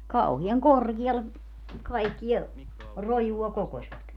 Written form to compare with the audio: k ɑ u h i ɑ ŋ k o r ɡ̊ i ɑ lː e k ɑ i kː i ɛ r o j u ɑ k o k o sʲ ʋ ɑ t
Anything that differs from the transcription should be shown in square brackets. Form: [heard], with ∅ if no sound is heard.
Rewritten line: k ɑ u h i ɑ ŋ k o r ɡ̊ i ɑ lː e k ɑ i kː i ɛ r o j u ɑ k o k o sʲ ʋ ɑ t